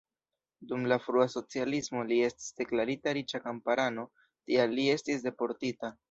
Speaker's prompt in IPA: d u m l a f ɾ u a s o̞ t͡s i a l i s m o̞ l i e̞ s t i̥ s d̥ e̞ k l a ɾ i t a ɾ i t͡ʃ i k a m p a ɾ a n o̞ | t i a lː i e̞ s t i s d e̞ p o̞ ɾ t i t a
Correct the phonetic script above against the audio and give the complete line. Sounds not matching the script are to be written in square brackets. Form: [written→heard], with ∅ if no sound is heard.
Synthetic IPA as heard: d u m l a f ɾ u a s o̞ t͡s i a l i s m o̞ l i e̞ s t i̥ s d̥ e̞ k l a ɾ i t a ɾ i t͡ʃ [i→a] k a m p a ɾ a n o̞ | t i a lː i e̞ s t i s d e̞ p o̞ ɾ t i t a